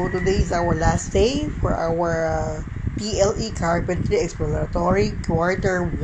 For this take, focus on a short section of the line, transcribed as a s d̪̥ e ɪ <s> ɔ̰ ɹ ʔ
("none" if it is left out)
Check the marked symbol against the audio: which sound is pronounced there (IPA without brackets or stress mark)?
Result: f